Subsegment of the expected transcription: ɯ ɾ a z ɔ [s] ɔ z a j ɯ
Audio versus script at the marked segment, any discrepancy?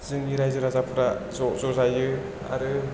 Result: yes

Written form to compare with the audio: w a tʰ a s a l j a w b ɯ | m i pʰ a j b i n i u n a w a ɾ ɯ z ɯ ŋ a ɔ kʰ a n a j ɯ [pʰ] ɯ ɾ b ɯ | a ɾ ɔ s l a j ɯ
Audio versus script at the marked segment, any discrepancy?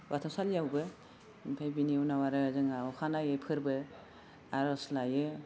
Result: no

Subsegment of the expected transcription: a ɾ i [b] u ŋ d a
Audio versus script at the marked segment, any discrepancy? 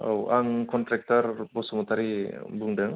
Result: no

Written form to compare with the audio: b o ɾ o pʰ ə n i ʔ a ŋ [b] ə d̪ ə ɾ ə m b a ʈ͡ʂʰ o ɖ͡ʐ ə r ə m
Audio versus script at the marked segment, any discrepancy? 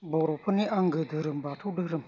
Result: yes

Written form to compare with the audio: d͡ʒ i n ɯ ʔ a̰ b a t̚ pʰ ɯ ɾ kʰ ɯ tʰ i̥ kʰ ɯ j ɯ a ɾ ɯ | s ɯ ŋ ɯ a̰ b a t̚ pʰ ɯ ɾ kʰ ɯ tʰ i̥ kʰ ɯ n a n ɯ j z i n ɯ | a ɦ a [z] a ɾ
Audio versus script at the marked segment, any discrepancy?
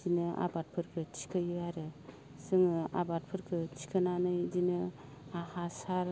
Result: yes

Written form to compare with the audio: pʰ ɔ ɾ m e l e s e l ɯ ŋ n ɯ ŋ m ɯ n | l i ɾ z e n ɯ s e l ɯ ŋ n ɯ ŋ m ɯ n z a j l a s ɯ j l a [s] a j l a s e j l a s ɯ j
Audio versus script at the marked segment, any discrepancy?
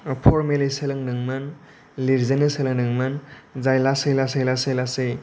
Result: no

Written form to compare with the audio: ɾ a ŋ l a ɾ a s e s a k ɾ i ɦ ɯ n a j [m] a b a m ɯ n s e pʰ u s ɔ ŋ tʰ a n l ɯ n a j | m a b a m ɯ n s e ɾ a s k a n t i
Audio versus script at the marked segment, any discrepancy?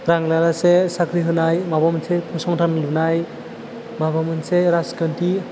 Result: no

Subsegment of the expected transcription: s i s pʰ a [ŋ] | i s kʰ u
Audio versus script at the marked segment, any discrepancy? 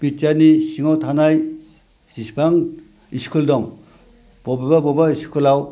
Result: no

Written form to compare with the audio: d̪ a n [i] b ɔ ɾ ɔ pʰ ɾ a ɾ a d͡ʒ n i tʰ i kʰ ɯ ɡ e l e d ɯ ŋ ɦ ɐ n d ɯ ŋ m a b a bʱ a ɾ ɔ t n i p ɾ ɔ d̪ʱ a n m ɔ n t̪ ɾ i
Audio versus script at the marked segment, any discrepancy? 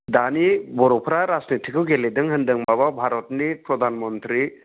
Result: no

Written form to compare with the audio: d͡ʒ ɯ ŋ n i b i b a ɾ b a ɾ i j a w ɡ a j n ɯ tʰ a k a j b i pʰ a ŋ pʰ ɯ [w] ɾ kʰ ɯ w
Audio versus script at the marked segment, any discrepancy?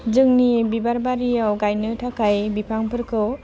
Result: yes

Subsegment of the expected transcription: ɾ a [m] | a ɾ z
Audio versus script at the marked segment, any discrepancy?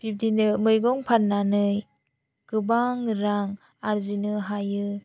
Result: yes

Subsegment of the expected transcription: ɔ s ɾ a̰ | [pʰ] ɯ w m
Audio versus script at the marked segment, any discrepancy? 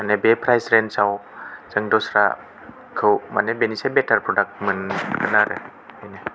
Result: yes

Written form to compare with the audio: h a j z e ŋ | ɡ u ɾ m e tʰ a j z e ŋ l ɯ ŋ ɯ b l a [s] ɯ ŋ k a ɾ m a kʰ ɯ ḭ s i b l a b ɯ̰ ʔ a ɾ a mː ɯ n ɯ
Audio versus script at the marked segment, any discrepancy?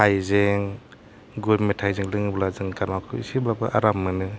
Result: yes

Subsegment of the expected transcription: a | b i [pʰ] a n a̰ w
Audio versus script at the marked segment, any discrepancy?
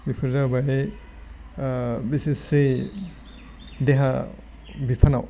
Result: no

